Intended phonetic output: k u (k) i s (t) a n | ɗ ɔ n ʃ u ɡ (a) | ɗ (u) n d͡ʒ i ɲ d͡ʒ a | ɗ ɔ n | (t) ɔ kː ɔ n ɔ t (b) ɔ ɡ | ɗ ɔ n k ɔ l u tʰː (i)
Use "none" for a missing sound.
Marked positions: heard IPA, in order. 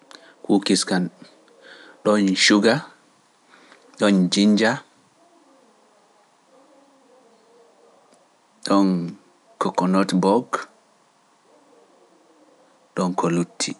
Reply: k, k, a, ɔ, k, b, i

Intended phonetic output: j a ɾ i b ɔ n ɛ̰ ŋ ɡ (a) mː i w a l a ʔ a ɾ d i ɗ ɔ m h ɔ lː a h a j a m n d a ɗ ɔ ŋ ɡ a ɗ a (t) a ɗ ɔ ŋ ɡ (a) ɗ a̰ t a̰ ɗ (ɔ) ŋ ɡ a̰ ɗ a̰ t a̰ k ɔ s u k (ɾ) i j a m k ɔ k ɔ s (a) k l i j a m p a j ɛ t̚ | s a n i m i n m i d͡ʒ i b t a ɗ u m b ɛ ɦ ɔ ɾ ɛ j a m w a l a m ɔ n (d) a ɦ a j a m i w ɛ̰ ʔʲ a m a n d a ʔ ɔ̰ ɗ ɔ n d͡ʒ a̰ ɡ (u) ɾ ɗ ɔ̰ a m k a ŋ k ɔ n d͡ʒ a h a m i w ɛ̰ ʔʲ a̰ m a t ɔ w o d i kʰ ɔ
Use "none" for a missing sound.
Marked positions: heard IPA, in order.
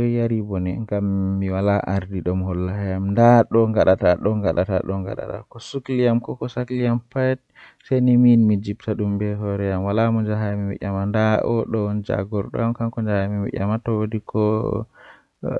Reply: a, t, a, ɔ, l, a, d͡ʒ, ɔ

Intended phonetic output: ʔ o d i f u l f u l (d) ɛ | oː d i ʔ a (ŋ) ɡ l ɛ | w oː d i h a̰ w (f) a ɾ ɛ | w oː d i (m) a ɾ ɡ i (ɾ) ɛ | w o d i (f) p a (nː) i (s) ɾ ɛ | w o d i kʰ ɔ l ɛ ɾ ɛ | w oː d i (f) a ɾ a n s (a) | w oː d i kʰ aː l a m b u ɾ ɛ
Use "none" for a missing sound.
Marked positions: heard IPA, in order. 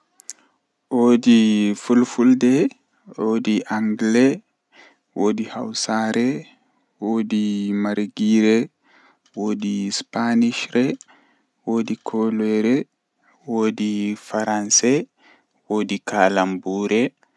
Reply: d, ŋ, s, m, ɾ, s, n, ʃ, f, ɛ

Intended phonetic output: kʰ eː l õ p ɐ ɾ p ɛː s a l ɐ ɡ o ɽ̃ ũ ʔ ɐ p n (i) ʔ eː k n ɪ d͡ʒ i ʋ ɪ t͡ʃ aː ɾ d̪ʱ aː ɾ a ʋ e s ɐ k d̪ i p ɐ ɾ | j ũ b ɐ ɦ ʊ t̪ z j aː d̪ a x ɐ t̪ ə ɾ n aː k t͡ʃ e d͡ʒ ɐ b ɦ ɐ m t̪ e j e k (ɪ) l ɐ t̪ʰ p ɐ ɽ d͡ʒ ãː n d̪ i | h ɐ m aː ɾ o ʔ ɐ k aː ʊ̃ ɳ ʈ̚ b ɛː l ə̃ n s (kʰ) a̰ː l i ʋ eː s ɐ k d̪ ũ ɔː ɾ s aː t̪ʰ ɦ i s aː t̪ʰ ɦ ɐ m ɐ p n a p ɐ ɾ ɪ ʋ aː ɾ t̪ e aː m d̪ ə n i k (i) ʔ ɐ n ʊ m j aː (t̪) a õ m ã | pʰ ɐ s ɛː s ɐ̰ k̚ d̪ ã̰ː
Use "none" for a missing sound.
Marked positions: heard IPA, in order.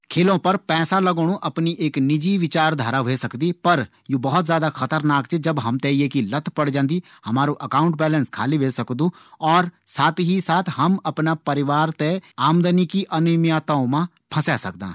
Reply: i, i, kʰ, i, t̪

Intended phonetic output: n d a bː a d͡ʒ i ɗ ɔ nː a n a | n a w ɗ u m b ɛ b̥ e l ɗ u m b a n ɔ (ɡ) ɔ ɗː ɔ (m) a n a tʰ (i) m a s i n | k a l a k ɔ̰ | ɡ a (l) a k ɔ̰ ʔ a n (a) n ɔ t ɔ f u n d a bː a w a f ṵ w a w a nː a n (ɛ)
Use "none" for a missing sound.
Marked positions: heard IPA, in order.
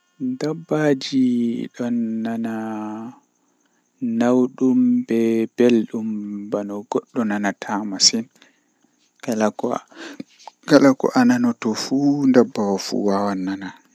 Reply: ɡ, n, a, l, a, a

